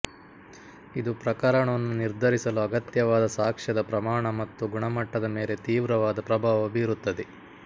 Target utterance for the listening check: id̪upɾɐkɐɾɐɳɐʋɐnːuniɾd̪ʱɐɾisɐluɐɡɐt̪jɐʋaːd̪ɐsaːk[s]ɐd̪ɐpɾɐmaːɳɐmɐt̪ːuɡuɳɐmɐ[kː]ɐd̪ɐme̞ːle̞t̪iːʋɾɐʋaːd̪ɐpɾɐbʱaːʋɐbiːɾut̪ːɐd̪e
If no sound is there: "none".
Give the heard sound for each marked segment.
ʂ, ʈː

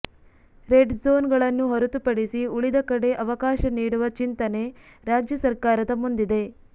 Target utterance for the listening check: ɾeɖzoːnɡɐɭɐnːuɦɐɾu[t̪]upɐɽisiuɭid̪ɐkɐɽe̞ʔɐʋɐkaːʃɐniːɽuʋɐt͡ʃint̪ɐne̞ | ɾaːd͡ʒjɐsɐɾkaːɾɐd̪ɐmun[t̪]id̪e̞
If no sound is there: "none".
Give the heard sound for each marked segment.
t̪, d̪

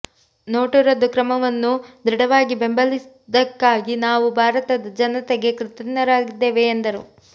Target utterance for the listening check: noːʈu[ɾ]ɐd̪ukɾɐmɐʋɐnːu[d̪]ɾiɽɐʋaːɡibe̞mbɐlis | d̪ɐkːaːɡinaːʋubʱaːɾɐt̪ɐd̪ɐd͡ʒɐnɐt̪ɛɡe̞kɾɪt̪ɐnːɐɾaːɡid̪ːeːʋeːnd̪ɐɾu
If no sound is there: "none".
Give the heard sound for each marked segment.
ɾ, d̪

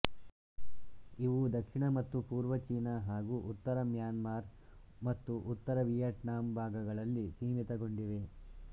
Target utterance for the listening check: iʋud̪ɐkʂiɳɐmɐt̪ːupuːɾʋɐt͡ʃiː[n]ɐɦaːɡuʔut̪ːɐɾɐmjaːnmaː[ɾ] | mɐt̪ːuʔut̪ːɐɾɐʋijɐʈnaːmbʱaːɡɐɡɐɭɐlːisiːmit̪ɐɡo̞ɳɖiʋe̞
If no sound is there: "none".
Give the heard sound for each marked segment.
n, ɾ

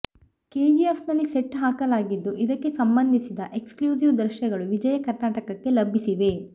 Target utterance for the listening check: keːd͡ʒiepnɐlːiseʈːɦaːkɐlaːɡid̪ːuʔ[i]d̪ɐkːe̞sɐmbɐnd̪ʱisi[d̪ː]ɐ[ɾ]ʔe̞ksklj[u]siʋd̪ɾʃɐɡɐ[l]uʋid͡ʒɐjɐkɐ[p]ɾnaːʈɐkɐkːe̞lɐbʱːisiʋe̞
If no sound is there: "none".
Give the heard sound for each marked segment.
i, d̪, none, uː, ɭ, none

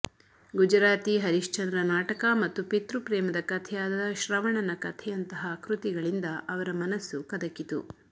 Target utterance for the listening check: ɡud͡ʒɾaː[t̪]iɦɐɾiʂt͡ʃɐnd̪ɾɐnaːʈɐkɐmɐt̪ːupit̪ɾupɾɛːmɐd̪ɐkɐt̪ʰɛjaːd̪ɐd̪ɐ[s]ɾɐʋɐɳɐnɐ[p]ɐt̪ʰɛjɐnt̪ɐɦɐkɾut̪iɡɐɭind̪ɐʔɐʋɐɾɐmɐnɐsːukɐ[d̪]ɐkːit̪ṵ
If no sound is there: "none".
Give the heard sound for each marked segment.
t̪, ʃ, k, d̪

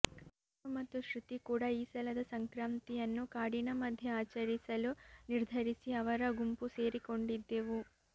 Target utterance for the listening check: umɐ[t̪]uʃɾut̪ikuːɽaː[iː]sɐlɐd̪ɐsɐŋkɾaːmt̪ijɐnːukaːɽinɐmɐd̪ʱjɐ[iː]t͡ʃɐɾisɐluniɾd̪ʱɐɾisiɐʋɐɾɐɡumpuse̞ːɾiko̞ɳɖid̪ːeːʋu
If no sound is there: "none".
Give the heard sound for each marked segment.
t̪, iː, aː

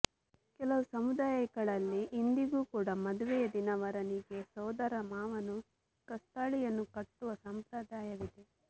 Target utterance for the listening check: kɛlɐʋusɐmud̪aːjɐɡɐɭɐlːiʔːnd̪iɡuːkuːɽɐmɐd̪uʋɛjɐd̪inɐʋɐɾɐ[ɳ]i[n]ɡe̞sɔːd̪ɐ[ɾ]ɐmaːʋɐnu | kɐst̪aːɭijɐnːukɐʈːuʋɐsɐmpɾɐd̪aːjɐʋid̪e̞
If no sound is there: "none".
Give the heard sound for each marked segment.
n, none, ɾ

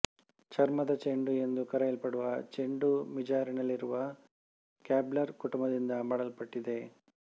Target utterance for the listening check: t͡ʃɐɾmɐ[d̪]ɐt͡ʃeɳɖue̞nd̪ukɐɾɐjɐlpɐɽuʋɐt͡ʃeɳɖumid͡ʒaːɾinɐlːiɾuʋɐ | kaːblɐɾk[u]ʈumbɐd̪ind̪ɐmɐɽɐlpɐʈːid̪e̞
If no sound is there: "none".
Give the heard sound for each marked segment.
d̪, u

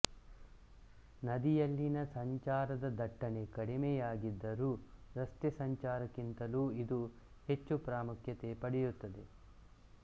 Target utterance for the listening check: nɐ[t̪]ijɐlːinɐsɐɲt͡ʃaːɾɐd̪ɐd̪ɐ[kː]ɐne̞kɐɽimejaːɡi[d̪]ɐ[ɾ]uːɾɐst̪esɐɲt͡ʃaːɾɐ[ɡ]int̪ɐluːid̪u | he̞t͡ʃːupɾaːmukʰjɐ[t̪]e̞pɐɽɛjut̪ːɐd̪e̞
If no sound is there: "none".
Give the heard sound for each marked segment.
d̪, ʈː, d̪ː, ɾ, k, t̪

